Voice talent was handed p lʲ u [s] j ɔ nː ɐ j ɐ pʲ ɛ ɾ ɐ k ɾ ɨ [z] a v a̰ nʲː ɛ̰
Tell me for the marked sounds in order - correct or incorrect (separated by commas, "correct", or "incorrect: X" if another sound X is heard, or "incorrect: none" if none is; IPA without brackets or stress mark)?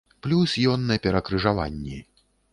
correct, incorrect: ʐ